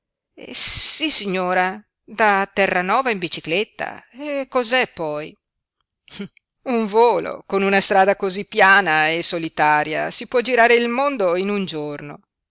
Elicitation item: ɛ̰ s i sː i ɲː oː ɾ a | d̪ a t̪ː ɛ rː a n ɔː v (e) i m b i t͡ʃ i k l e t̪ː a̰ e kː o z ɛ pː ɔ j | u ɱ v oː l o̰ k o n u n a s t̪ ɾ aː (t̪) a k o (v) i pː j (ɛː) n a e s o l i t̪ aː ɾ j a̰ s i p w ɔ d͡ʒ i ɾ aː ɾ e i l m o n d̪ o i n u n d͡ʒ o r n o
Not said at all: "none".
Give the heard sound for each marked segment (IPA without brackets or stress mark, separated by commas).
a, d̪, z, aː